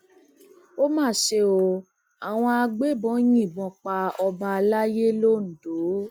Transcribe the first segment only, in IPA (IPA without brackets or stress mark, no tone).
o